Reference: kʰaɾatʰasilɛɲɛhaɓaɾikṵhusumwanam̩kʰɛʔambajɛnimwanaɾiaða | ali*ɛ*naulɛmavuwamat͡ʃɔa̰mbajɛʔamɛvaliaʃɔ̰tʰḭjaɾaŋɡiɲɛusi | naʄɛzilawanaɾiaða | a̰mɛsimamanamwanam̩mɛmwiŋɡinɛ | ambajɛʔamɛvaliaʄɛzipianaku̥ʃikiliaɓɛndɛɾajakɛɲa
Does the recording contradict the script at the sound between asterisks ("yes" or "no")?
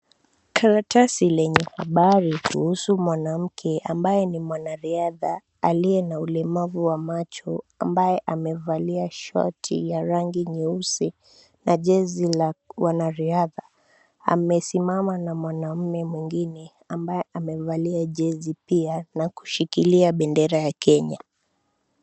no